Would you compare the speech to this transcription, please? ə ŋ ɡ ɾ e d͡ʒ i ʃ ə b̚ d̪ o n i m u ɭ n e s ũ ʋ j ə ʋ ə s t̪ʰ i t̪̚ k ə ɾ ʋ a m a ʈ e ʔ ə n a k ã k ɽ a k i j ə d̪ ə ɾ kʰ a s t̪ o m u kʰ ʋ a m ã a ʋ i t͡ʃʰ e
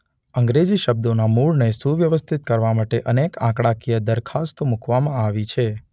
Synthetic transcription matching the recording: ə ŋ ɡ ɾ e d͡ʒ i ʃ ə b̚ d̪ o n a m u ɭ n e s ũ ʋ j ə ʋ ə s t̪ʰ i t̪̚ k ə ɾ ʋ a m a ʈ e ʔ ə n e k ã k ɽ a k i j ə d̪ ə ɾ kʰ a s t̪ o m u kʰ ʋ a m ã a ʋ i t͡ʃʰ e